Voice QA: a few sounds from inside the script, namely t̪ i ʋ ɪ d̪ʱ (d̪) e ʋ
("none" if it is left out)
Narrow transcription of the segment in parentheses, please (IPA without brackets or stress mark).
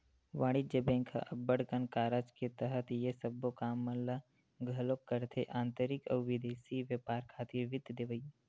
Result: d̪